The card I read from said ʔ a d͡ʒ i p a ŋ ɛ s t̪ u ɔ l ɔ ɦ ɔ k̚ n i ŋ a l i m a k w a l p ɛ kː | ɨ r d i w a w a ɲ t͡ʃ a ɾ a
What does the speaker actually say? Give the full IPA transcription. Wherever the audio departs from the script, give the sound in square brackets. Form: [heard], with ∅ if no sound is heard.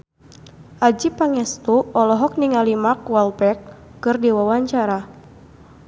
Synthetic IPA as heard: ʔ a d͡ʒ i p a ŋ ɛ s t̪ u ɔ l ɔ ɦ ɔ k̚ n i ŋ a l i m a k w a l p ɛ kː | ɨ r d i w a w a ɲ t͡ʃ a ɾ a